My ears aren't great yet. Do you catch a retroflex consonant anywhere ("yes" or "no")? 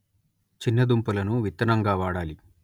yes